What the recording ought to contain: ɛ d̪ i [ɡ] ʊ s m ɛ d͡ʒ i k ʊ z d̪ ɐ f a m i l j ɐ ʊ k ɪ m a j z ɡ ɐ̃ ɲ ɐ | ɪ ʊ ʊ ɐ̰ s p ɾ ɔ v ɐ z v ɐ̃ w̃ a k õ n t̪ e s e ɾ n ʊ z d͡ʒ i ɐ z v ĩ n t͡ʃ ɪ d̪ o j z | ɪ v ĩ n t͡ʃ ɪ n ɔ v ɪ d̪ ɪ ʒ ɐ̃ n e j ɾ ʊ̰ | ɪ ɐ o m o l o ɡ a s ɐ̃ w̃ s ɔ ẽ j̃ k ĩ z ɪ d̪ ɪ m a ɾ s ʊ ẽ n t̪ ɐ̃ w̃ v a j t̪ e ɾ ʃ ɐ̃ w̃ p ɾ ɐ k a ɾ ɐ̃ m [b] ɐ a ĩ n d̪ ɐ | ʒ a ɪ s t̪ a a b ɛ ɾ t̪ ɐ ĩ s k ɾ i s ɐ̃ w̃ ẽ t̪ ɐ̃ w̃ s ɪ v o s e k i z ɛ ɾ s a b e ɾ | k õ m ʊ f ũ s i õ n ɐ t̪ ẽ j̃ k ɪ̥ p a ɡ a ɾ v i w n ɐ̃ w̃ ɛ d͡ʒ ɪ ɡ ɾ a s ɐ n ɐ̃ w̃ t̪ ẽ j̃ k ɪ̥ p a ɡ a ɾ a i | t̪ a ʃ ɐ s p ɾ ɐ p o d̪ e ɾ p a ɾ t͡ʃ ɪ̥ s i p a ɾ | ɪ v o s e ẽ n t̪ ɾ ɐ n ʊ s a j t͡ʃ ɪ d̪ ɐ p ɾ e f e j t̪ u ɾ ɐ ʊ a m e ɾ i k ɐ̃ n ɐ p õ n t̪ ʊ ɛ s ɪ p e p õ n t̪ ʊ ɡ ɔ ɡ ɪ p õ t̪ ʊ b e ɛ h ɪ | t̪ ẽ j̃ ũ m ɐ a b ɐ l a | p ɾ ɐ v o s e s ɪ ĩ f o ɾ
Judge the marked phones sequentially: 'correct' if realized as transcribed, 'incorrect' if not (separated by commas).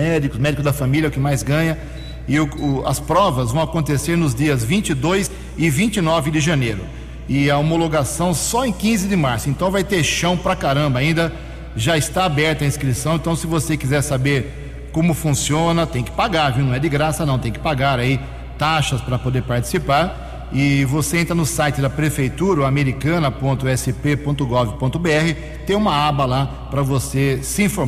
incorrect, correct